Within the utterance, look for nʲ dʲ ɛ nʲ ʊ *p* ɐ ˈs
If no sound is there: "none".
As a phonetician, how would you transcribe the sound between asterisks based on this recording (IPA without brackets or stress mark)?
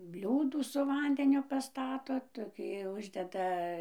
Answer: p